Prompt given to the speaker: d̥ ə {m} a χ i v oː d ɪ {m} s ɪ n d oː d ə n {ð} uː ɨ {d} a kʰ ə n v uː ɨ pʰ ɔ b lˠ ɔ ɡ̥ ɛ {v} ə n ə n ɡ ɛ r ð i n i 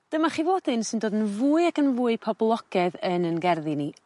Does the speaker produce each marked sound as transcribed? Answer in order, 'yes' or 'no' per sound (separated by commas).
yes, no, no, no, no